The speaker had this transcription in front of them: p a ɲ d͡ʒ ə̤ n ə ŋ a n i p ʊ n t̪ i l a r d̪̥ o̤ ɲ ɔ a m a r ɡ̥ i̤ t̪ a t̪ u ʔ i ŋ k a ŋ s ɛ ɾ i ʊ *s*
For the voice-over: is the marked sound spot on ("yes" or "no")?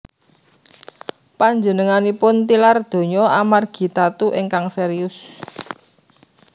yes